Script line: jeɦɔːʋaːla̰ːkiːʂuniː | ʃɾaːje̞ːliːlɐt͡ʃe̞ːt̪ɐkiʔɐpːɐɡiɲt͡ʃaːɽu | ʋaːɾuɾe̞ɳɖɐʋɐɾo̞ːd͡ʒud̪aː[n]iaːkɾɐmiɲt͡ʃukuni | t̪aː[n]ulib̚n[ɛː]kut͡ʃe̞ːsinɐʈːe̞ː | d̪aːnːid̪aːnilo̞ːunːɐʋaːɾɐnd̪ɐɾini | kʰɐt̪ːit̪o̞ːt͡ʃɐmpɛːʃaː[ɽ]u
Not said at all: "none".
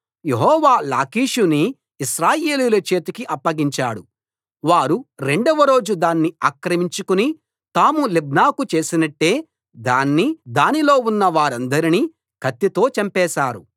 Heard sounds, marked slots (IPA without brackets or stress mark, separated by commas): nː, m, aː, ɾ